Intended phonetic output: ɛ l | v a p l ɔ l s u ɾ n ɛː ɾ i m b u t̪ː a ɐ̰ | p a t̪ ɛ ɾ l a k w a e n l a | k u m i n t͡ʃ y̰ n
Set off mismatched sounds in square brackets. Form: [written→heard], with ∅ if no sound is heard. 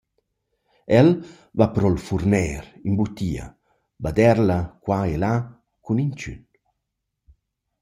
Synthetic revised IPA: ɛ l | v a p [l→ɾ] ɔ l [s→f] u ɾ n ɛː ɾ i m b u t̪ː [a→i] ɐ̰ | [p→b] a [t̪→d̪] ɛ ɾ l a k w a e [n→∅] l a | k u [m→n] i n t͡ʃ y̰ n